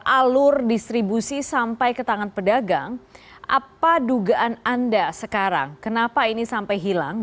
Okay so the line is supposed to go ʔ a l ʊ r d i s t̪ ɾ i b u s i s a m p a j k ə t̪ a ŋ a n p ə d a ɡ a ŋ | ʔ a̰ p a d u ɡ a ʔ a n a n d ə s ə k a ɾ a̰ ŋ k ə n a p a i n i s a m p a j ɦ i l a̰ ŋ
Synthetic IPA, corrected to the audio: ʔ a l ʊ r d i s t̪ ɾ i b u s i s a m p a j k ə t̪ a ŋ a n p ə d a ɡ a ŋ | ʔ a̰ p a d u ɡ a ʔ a n a n d a s ə k a ɾ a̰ ŋ k ə n a p a i n i s a m p a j ɦ i l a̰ ŋ